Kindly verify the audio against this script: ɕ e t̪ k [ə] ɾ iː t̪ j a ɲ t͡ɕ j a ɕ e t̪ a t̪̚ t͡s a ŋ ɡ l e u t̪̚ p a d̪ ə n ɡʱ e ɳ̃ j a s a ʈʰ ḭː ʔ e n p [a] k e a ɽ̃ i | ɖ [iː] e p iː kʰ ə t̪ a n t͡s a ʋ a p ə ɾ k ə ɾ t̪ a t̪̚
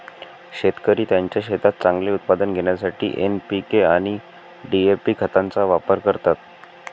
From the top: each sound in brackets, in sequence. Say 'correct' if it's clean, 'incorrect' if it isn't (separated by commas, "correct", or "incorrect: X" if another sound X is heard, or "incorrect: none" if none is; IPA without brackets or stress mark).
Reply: correct, incorrect: i, incorrect: i